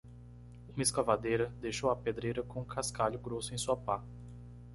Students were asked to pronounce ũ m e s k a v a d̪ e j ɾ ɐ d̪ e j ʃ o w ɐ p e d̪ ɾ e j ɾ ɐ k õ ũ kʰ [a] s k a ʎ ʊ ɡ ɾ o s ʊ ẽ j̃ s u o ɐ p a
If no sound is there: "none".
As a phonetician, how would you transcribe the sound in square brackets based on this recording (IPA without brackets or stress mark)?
a